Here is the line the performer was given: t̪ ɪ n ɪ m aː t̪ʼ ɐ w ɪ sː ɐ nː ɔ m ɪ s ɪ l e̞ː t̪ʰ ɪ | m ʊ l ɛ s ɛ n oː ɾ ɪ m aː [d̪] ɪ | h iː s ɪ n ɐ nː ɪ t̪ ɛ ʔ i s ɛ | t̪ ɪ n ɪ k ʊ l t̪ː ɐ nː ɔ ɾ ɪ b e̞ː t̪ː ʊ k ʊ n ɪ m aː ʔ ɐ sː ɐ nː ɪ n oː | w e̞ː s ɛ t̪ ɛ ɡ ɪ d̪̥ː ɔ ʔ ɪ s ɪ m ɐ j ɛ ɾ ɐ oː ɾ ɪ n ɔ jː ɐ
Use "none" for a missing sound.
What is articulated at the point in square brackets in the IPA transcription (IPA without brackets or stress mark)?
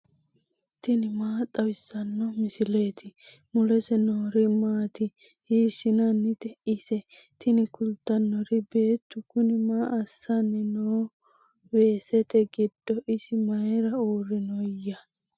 t̪